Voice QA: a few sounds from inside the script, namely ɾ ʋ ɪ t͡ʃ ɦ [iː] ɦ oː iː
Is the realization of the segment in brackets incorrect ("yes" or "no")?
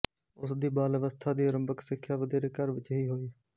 no